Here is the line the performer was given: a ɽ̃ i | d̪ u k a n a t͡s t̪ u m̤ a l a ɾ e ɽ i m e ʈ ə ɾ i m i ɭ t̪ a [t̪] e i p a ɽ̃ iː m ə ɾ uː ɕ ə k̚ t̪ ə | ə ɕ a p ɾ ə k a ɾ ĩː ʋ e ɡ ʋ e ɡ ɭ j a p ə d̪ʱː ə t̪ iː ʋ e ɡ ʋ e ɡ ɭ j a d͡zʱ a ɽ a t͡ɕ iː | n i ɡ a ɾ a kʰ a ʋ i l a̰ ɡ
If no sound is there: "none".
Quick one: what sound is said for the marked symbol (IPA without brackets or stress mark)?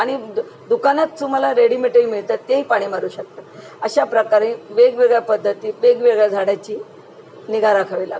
t̪